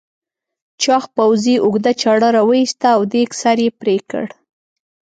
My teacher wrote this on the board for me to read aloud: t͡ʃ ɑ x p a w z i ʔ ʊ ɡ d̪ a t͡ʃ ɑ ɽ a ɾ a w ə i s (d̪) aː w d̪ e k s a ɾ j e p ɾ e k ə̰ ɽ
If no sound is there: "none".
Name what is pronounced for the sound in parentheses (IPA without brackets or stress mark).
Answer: t̪